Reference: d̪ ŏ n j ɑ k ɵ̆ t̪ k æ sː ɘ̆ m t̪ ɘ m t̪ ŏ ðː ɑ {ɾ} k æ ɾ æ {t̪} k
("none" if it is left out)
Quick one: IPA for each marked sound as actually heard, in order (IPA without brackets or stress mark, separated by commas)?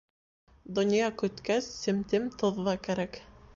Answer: none, none